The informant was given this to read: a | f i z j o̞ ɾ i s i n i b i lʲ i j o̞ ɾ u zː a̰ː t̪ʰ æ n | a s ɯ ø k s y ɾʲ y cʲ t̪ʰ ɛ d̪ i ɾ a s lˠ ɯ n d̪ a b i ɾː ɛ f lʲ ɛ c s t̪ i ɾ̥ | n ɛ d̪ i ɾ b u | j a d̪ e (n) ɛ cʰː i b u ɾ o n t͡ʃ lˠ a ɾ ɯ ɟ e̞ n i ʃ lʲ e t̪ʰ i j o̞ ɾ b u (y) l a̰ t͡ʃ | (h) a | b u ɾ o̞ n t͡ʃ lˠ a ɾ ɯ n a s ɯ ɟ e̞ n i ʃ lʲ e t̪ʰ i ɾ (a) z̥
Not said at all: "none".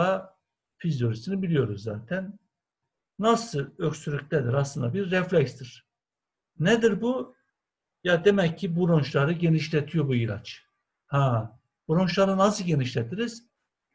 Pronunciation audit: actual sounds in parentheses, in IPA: m, i, h, i

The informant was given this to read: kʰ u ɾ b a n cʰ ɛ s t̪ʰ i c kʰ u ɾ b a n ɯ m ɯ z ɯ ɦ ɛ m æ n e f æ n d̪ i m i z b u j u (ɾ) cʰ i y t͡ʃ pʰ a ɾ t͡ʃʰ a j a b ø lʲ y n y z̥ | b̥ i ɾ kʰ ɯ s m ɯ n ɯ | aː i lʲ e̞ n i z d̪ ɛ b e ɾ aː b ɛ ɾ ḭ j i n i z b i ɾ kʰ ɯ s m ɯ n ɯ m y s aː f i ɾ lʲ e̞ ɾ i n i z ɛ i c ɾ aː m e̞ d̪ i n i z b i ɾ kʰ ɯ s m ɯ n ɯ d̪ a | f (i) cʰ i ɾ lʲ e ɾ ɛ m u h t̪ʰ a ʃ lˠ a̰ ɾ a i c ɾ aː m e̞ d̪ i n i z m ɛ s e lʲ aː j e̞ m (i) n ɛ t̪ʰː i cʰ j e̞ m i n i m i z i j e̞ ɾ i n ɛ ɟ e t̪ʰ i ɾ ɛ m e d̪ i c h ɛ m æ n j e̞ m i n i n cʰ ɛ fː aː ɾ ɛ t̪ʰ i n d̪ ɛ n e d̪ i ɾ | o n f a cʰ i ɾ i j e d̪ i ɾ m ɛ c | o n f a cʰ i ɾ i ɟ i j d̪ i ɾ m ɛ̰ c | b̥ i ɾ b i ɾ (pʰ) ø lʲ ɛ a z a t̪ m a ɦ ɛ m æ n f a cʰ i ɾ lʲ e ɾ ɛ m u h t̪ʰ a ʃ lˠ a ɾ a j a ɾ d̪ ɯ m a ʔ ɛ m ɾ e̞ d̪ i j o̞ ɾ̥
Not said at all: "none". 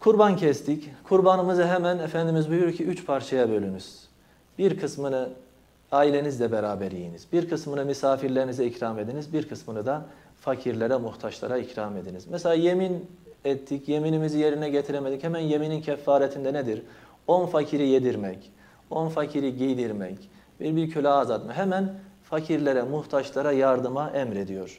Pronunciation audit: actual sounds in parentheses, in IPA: ɾ, a, i, cʰ

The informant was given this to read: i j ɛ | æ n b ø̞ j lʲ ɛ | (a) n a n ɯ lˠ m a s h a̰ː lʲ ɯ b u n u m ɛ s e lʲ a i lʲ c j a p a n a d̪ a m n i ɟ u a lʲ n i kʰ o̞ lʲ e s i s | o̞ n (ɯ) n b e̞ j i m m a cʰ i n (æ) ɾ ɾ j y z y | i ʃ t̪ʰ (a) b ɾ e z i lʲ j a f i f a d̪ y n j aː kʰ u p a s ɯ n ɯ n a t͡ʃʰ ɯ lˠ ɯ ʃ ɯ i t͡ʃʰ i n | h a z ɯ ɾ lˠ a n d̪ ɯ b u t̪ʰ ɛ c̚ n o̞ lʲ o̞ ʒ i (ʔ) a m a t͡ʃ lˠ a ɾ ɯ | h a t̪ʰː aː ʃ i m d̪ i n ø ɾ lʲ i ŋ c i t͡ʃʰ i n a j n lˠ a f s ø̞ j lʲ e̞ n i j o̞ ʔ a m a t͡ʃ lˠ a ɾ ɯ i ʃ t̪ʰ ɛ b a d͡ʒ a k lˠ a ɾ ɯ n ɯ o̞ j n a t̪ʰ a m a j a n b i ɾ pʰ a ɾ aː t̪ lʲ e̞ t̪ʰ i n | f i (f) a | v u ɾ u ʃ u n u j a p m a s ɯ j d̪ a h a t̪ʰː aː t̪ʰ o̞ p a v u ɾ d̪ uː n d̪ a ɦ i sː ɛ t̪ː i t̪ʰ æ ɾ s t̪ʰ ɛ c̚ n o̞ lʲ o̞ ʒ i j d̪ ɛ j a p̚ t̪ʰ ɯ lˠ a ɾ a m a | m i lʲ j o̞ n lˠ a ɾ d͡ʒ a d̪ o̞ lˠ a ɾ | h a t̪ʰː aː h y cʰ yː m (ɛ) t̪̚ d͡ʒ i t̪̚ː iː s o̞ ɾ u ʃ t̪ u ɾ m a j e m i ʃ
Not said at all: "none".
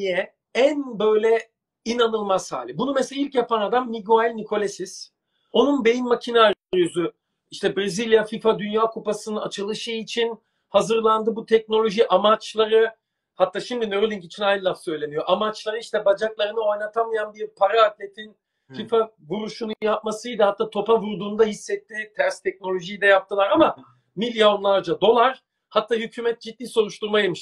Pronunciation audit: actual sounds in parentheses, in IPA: i, u, a, ɛ, ʔ, f, ɛ

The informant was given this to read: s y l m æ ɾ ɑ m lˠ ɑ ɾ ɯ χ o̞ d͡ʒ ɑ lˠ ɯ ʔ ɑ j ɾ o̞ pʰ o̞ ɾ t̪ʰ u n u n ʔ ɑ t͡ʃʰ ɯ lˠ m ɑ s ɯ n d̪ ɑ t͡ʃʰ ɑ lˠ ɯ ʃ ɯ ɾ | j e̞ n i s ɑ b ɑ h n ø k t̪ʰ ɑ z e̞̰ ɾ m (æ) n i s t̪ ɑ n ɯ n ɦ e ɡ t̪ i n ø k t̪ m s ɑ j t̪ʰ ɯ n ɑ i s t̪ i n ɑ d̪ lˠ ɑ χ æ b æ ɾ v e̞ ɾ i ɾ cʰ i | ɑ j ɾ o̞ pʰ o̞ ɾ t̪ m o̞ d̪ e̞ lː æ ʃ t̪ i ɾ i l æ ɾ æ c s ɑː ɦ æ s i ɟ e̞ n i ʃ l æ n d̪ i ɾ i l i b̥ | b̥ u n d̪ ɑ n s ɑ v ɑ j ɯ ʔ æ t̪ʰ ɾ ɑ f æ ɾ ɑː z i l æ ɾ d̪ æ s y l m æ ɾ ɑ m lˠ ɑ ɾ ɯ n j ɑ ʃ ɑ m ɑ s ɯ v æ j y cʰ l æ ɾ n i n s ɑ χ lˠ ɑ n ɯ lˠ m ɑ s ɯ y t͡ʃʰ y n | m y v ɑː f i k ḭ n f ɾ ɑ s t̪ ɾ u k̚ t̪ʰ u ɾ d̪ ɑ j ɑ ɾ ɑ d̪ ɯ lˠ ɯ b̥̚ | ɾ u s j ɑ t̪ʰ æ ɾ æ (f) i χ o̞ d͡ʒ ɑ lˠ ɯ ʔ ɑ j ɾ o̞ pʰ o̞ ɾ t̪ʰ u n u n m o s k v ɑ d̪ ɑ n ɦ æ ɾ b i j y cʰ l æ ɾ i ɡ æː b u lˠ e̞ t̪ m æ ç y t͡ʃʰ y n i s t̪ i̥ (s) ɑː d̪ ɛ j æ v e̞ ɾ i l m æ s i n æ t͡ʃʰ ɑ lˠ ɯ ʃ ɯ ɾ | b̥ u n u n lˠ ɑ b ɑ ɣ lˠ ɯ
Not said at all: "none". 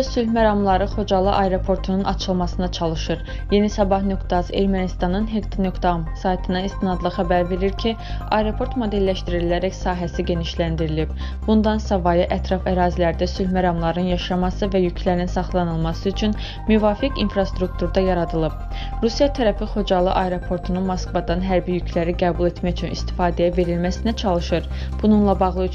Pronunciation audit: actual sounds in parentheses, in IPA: æ, f, f

